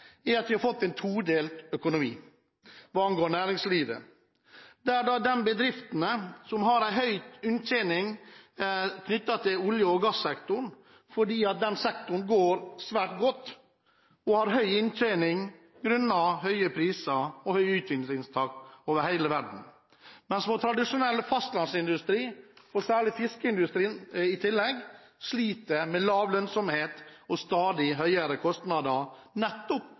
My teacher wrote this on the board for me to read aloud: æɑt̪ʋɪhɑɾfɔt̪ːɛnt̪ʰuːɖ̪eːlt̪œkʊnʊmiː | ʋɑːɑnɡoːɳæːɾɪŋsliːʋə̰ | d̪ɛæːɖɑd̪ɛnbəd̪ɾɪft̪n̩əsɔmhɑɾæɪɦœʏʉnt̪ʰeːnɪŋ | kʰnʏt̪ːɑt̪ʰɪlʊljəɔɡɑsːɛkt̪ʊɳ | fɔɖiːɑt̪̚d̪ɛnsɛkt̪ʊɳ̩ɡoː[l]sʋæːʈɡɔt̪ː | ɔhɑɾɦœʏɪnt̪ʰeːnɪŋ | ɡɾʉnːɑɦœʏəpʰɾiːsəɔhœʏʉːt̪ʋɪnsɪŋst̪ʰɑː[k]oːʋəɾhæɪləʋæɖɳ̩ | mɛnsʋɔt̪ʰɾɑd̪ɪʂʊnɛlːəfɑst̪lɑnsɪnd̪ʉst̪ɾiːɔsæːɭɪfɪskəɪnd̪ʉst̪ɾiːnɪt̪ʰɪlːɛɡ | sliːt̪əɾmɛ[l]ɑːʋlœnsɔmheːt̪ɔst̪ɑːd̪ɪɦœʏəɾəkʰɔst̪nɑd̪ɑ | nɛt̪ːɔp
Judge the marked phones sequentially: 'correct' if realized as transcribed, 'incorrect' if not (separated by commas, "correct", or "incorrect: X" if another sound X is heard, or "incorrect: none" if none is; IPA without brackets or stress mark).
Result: incorrect: ɾ, correct, correct